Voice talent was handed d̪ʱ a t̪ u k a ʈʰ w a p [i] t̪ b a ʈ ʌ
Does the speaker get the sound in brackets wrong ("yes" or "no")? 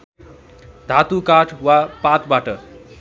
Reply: yes